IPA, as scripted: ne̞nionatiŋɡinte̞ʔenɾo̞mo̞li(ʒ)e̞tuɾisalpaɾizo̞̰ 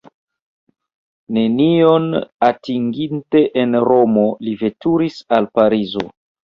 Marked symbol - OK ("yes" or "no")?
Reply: no